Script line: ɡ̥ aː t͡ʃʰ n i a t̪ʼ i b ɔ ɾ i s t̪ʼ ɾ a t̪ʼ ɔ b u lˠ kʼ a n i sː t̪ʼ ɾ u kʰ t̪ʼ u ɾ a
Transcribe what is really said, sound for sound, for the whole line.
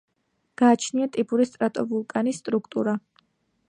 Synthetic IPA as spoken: ɡ̥ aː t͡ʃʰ n i a t̪ʼ i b u ɾ i s t̪ʼ ɾ a t̪ʼ ɔ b u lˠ kʼ a n i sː t̪ʼ ɾ u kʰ t̪ʼ u ɾ a